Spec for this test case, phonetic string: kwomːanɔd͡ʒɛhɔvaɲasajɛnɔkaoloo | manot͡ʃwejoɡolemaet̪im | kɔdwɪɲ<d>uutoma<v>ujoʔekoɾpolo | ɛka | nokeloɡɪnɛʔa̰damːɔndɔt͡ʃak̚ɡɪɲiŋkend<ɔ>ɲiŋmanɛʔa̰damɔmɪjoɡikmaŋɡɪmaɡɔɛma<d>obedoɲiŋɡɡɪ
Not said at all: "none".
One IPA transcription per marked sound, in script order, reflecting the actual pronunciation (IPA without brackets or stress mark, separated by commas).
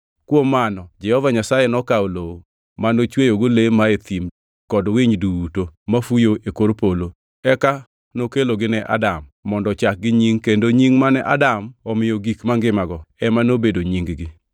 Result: d, f, o, n